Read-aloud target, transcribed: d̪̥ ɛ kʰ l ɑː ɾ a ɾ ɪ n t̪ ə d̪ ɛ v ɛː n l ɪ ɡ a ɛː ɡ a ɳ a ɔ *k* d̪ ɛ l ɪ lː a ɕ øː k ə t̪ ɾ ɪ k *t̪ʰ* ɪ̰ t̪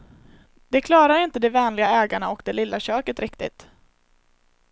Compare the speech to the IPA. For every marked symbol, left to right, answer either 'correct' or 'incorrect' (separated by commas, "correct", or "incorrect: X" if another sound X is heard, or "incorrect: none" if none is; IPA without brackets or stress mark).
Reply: correct, incorrect: t̪